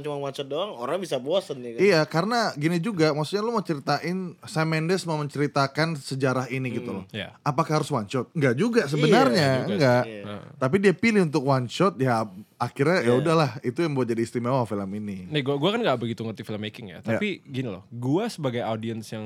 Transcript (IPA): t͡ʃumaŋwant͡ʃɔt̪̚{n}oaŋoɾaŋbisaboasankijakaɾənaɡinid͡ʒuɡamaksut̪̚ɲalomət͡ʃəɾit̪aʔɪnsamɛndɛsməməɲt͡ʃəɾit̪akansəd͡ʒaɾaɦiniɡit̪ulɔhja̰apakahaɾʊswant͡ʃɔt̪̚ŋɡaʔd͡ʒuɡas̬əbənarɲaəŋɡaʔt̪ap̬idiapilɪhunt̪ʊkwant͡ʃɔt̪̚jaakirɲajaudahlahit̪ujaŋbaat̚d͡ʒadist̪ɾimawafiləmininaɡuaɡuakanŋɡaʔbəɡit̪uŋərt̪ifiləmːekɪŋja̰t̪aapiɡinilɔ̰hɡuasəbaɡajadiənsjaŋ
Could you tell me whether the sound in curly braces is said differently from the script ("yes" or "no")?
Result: yes